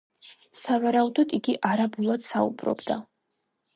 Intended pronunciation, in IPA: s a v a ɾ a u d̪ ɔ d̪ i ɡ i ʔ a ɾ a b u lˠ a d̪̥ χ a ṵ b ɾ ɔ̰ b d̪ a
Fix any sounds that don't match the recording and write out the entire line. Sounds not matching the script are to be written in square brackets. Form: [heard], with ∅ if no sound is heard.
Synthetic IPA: s a v a ɾ a u d̪ ɔ d̪ i ɡ i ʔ a ɾ a b u lˠ a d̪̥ [s] a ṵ b ɾ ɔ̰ b d̪ a